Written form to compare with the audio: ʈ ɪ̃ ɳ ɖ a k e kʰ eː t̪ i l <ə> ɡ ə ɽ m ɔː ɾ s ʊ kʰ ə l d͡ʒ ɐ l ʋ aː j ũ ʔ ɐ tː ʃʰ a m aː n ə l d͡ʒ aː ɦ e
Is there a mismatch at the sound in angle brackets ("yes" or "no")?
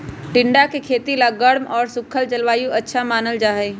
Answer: yes